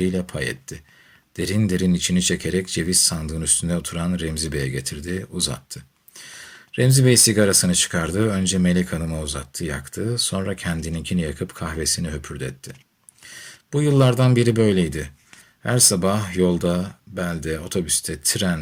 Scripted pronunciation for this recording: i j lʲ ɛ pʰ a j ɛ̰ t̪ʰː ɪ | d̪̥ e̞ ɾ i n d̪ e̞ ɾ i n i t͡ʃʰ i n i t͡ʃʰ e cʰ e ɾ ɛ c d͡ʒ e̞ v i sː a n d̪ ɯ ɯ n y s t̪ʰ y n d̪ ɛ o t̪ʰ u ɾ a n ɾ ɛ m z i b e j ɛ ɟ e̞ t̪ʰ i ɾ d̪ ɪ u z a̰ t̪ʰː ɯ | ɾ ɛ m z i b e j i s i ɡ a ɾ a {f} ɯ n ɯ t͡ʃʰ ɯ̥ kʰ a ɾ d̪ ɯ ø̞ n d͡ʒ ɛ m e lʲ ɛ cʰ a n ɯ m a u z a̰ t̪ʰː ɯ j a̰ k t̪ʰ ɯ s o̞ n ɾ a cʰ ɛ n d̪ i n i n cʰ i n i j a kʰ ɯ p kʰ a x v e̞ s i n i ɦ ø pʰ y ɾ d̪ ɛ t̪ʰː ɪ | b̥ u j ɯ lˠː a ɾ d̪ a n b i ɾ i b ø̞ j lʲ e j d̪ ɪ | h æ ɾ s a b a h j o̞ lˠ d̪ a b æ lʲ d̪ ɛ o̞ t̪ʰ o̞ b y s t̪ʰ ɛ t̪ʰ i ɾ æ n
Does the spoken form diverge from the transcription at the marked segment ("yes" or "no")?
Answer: yes